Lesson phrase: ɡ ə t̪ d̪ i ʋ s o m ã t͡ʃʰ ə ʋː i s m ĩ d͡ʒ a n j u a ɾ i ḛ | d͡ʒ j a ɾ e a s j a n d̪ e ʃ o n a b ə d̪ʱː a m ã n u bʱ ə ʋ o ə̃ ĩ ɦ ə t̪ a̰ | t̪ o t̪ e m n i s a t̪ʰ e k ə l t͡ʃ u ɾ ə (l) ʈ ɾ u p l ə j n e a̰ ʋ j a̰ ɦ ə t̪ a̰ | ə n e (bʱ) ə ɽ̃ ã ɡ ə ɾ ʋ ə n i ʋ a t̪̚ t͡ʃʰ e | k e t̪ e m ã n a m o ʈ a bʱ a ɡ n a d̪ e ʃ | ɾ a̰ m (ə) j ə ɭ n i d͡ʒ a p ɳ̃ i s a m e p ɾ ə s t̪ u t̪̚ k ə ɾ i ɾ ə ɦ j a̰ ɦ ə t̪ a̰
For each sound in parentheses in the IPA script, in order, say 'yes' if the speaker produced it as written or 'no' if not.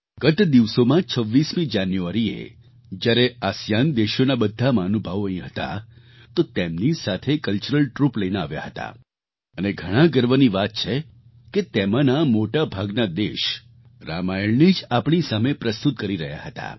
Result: yes, no, no

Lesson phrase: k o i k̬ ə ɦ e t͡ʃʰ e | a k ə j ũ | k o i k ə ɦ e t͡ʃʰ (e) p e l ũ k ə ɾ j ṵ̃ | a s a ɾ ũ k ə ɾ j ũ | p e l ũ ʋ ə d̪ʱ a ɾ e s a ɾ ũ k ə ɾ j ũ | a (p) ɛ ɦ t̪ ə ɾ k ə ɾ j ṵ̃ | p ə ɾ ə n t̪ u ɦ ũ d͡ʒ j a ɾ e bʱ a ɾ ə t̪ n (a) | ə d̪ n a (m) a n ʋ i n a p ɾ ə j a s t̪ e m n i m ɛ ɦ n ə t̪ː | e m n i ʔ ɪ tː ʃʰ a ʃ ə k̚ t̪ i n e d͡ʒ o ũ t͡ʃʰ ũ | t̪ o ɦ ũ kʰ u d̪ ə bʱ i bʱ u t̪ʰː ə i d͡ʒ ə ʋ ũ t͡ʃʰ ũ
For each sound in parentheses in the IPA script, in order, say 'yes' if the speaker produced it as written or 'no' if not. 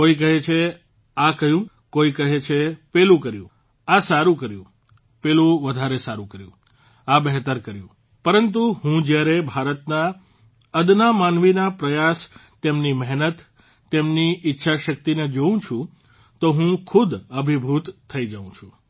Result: yes, no, yes, yes

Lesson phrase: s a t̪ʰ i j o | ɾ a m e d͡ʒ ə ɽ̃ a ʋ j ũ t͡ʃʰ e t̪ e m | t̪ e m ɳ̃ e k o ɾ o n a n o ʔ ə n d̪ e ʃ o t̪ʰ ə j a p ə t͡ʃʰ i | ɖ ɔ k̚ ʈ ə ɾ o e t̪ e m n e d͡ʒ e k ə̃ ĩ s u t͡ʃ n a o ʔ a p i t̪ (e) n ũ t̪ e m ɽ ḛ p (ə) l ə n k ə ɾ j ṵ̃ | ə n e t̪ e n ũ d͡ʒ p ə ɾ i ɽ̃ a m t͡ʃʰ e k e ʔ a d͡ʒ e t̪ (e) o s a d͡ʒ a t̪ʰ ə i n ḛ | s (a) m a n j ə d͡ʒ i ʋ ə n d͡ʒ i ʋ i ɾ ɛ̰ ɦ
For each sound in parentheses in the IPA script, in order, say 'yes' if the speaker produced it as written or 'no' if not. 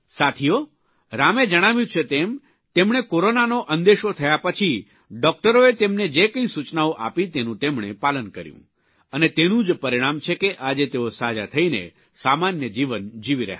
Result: yes, no, yes, yes

